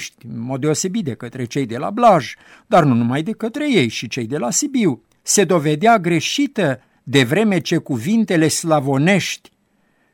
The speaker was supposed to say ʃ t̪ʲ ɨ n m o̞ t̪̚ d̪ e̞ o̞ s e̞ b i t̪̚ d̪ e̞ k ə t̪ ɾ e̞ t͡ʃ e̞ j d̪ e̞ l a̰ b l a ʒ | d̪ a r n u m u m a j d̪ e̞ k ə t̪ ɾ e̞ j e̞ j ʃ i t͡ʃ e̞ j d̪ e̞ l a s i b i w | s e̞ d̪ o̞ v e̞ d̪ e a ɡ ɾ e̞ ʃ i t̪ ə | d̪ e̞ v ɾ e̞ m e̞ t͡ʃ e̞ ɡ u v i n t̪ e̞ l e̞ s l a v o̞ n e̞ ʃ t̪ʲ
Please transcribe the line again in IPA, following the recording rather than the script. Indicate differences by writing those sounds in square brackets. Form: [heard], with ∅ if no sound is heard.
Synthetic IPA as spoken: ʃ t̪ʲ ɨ n m o̞ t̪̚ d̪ e̞ o̞ s e̞ b i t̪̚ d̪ e̞ k ə t̪ ɾ e̞ t͡ʃ e̞ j d̪ e̞ l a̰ b l a ʒ | d̪ a r n u [n] u m a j d̪ e̞ k ə t̪ ɾ e̞ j e̞ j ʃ i t͡ʃ e̞ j d̪ e̞ l a s i b i w | s e̞ d̪ o̞ v e̞ d̪ e a ɡ ɾ e̞ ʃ i t̪ ə | d̪ e̞ v ɾ e̞ m e̞ t͡ʃ e̞ [k] u v i n t̪ e̞ l e̞ s l a v o̞ n e̞ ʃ t̪ʲ